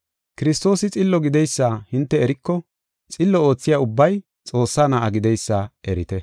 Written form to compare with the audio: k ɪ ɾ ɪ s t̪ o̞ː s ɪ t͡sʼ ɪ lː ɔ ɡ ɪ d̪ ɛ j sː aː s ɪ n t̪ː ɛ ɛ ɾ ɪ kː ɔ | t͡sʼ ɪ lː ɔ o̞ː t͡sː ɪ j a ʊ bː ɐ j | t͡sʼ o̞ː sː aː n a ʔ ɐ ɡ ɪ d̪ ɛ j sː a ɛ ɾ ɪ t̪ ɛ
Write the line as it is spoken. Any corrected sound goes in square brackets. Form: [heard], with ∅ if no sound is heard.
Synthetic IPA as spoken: k ɪ ɾ ɪ s t̪ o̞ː s ɪ t͡sʼ ɪ lː ɔ ɡ ɪ d̪ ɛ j sː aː [h] ɪ n t̪ː ɛ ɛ ɾ ɪ kː ɔ | t͡sʼ ɪ lː ɔ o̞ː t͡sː ɪ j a ʊ bː ɐ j | t͡sʼ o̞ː sː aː n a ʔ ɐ ɡ ɪ d̪ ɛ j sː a ɛ ɾ ɪ t̪ ɛ